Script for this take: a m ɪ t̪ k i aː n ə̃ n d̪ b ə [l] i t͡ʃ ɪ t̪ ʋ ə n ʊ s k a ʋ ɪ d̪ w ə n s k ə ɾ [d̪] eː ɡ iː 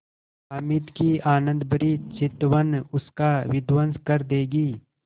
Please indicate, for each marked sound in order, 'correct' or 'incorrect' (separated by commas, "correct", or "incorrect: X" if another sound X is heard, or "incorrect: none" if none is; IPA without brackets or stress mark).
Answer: incorrect: ɾ, correct